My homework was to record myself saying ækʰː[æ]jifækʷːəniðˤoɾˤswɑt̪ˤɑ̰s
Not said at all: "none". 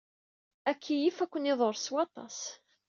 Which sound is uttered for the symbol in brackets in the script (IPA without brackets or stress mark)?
i